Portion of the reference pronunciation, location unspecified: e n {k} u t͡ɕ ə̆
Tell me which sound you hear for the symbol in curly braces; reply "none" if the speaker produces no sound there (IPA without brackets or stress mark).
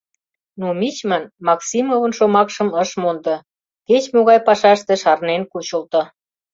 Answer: k